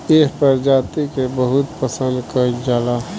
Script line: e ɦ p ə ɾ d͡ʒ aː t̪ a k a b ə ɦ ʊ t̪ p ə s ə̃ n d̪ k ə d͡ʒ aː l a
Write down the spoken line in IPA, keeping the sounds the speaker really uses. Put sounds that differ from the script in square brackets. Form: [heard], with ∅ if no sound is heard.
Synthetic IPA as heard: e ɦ p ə ɾ d͡ʒ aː t̪ [i] k [e] b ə ɦ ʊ t̪ p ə s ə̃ n d̪ k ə d͡ʒ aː l a